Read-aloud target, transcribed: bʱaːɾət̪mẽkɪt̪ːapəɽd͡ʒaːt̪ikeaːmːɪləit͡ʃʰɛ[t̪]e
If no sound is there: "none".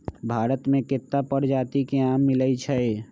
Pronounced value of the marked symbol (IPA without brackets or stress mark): none